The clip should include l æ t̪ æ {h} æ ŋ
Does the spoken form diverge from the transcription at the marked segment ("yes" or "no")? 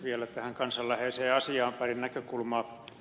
no